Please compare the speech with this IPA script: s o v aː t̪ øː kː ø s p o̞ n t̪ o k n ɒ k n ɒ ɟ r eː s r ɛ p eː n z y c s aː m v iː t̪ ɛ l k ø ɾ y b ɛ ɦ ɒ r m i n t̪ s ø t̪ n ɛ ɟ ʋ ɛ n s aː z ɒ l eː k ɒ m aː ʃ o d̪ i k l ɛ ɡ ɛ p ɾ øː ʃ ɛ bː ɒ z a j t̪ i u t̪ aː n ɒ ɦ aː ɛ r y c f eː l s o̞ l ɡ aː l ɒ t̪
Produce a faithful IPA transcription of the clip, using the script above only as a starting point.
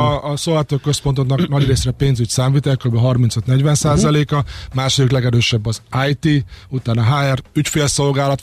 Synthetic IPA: s o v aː t̪ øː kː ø s p o̞ n t̪ o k n ɒ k n ɒ ɟ r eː s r ɛ p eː n z y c s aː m v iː t̪ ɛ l k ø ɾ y b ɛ ɦ ɒ r m i n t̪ s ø t̪ n ɛ ɟ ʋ ɛ n s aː z ɒ l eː k ɒ m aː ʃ o d̪ i k l ɛ ɡ ɛ ɾ øː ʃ ɛ bː ɒ z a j t̪ i u t̪ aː n ɒ ɦ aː ɛ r y c f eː l s o̞ l ɡ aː l ɒ t̪